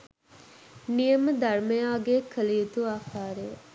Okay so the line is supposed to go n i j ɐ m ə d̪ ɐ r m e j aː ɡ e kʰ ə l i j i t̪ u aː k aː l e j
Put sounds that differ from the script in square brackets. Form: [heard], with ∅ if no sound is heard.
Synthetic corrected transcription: n i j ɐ m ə d̪ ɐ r m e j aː ɡ e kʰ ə l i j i t̪ u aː k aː [ɾ] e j